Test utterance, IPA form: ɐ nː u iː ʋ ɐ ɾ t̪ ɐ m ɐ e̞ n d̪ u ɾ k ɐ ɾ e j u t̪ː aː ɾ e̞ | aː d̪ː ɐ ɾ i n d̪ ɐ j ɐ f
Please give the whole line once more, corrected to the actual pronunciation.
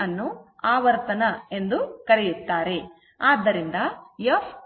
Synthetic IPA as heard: ɐ nː u aː ʋ ɐ ɾ t̪ ɐ n ɐ e̞ n d̪ u k ɐ ɾ e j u t̪ː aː ɾ e̞ | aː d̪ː ɐ ɾ i n d̪ ɐ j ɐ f